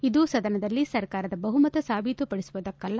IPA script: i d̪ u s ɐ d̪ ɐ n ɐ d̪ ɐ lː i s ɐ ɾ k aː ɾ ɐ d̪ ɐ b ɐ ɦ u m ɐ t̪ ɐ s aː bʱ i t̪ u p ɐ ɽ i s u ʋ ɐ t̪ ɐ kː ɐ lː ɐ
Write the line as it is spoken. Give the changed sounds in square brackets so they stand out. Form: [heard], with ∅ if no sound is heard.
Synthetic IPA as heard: i d̪ u s ɐ d̪ ɐ n ɐ d̪ ɐ lː i s ɐ ɾ k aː ɾ ɐ d̪ ɐ b ɐ ɦ u m ɐ t̪ ɐ s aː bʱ i t̪ u p ɐ ɽ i s u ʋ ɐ [d̪] ɐ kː ɐ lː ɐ